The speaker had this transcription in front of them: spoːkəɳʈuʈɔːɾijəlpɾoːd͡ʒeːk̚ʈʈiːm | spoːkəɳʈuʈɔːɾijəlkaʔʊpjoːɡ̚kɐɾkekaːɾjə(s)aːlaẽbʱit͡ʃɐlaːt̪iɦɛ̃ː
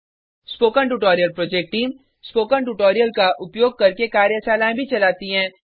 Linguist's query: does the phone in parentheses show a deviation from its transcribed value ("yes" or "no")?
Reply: no